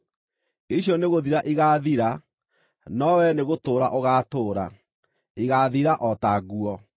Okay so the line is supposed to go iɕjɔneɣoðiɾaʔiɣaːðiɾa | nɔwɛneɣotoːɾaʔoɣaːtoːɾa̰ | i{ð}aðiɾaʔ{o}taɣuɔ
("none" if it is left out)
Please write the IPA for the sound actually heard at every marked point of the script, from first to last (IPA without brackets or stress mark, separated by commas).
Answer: ɣ, ɔ